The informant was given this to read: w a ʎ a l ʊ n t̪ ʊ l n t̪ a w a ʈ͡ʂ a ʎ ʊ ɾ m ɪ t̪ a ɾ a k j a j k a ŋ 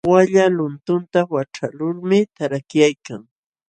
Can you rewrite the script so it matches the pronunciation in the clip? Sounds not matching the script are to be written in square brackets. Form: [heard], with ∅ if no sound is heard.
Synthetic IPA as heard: w a ʎ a l ʊ n t̪ ʊ [∅] n t̪ a w a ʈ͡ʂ a [l] ʊ ɾ m ɪ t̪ a ɾ a k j a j k a ŋ